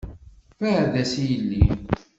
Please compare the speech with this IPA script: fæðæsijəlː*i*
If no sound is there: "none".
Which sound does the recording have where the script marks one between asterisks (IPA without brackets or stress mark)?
i